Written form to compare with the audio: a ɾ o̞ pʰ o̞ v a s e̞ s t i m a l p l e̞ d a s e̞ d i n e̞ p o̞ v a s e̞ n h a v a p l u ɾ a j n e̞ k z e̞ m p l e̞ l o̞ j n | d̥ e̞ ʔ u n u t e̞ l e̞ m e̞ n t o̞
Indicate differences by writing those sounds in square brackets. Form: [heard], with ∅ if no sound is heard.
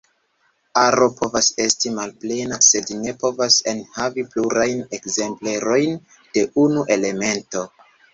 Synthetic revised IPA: a ɾ o̞ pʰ o̞ v a s e̞ s t i m a l p l e̞ [n] a s e̞ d i n e̞ p o̞ v a s e̞ n h a v [i] p l u ɾ a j n e̞ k z e̞ m p l e̞ [ɾ] o̞ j n | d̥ e̞ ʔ u n u [ʔ] e̞ l e̞ m e̞ n t o̞